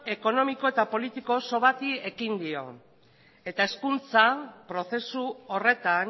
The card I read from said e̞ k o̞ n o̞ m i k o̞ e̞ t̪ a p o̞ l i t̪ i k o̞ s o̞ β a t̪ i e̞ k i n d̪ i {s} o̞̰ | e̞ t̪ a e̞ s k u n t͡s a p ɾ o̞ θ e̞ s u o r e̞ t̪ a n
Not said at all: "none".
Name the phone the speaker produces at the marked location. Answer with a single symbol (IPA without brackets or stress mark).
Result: none